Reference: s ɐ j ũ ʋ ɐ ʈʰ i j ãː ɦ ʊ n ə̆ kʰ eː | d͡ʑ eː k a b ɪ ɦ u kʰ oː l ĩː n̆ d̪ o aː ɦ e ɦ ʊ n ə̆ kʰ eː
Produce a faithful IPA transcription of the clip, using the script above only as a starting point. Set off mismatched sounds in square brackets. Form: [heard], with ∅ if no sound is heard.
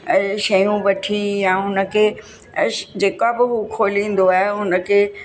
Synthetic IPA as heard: [ʃ] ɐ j ũ ʋ ɐ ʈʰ i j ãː ɦ ʊ n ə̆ kʰ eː | d͡ʑ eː k a b ɪ ɦ u kʰ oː l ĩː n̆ d̪ o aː ɦ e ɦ ʊ n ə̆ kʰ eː

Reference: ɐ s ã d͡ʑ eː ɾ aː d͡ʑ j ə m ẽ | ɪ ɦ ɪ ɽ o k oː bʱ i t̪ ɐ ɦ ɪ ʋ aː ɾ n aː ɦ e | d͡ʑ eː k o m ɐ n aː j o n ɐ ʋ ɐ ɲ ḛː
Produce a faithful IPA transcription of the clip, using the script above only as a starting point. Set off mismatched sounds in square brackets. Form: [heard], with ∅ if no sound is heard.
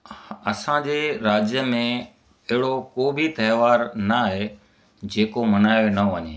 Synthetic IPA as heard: ɐ s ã d͡ʑ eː ɾ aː d͡ʑ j ə m ẽ | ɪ ɦ ɪ ɽ o k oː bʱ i t̪ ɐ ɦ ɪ ʋ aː ɾ n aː ɦ e | d͡ʑ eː k o m ɐ n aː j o n ɐ ʋ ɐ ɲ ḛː

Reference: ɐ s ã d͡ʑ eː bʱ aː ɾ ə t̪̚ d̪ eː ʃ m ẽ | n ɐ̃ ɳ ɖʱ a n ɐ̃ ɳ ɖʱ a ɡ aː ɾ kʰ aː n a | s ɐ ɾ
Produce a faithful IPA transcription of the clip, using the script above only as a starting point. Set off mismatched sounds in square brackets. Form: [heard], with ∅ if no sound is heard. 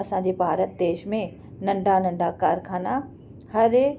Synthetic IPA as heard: ɐ s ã d͡ʑ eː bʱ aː ɾ ə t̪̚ d̪ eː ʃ m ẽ | n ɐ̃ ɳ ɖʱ a n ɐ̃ ɳ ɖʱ a [k] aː ɾ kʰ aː n a | [h] ɐ ɾ

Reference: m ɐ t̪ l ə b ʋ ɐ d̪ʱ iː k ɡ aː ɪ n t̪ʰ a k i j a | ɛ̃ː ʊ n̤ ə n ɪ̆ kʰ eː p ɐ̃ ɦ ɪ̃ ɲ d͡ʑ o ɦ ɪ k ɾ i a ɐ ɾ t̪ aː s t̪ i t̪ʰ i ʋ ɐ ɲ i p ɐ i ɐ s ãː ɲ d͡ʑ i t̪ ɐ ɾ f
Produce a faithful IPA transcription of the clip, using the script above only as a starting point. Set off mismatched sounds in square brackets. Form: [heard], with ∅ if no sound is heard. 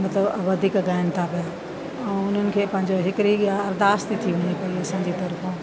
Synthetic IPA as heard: m ɐ t̪ l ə b ʋ ɐ d̪ʱ iː k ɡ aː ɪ n t̪ʰ a [p] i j a | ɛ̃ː ʊ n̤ ə n ɪ̆ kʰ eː p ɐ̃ ɦ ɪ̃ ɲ d͡ʑ o ɦ ɪ k ɾ i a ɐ ɾ [d̪] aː s t̪ i t̪ʰ i ʋ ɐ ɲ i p ɐ i ɐ s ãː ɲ d͡ʑ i t̪ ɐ ɾ f

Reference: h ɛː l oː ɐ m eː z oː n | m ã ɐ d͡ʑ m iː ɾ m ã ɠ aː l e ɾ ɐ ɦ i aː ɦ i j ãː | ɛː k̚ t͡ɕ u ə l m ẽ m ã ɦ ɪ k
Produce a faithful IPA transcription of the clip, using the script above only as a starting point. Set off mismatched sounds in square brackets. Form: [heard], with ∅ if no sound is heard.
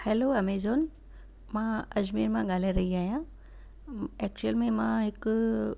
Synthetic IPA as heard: h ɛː l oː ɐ m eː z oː n | m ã ɐ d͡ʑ m iː ɾ m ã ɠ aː l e ɾ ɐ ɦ i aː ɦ i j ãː | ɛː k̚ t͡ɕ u ə l m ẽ m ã ɦ ɪ k

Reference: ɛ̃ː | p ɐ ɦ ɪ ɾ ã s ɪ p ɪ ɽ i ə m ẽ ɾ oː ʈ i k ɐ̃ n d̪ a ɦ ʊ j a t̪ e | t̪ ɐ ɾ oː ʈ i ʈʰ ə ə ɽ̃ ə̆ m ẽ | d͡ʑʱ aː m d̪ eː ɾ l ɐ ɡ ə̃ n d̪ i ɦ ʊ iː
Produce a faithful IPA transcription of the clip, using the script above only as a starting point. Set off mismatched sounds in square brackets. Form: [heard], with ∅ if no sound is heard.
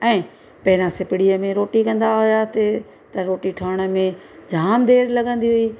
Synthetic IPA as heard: ɛ̃ː | p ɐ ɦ ɪ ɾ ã s ɪ p ɪ ɽ i ə m ẽ ɾ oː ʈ i k ɐ̃ n d̪ a ɦ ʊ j a t̪ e | t̪ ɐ ɾ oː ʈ i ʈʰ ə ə ɽ̃ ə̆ m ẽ | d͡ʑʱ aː m d̪ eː ɾ l ɐ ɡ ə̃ n d̪ i ɦ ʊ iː

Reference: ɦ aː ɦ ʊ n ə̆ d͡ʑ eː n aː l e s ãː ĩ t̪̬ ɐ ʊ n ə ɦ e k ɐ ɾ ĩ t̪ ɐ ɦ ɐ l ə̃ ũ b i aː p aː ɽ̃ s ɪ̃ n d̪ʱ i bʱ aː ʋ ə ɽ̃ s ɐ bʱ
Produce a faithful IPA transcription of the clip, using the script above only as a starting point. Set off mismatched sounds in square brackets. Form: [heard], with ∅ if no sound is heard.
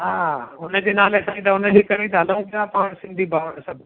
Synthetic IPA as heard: ɦ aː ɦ ʊ n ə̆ d͡ʑ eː n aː l e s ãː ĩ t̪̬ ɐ ʊ n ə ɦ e k ɐ ɾ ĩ t̪ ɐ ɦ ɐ l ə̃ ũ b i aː p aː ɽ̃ s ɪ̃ n d̪ʱ i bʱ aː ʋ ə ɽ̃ s ɐ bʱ

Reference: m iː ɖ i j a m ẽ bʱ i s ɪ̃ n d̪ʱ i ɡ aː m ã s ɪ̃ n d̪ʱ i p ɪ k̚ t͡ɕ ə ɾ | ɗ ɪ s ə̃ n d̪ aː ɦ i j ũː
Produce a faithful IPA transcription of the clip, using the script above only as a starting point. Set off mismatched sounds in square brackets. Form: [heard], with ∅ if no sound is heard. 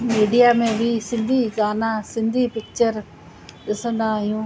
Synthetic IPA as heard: m iː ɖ i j a m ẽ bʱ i s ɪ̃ n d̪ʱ i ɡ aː [n] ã s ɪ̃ n d̪ʱ i p ɪ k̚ t͡ɕ ə ɾ | ɗ ɪ s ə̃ n d̪ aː ɦ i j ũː

